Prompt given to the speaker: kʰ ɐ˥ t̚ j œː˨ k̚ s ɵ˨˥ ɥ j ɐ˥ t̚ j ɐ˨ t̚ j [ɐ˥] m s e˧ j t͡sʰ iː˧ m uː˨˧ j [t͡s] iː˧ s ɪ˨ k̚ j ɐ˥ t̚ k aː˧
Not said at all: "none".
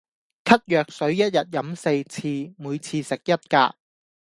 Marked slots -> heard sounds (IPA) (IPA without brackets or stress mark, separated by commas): ɐ˨˥, t͡sʰ